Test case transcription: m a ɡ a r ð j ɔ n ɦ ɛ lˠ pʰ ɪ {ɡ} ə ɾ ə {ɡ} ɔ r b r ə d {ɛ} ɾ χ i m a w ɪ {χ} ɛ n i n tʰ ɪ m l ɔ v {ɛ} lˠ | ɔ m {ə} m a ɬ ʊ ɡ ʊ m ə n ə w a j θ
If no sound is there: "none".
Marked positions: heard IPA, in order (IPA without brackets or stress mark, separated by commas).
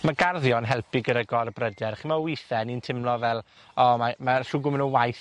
ɡ, ɡ, ɛ, θ, ɛ, a